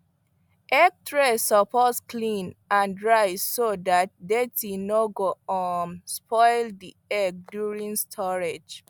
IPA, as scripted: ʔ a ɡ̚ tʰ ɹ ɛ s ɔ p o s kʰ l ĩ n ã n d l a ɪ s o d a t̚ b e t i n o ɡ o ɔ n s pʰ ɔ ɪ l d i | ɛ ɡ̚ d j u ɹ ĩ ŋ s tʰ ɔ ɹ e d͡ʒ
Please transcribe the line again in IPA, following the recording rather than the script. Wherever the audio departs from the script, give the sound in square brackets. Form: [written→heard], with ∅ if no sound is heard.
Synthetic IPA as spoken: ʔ [a→ɛ] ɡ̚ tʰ ɹ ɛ s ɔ p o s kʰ l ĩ n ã n d [l→ɹ] a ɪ s o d a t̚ [b→d] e t i n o ɡ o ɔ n s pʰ ɔ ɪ l d i | ɛ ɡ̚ d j u ɹ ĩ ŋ s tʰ ɔ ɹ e d͡ʒ